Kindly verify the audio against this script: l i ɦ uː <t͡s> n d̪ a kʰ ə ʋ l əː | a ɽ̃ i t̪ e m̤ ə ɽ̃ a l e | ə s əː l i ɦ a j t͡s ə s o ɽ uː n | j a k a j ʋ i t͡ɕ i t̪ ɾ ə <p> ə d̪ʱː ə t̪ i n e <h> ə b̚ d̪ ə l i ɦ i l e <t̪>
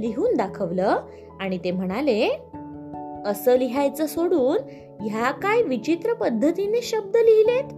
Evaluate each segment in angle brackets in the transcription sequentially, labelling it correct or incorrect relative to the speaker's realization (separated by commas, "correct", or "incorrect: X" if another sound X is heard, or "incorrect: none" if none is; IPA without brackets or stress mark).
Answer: incorrect: none, correct, incorrect: ɕ, correct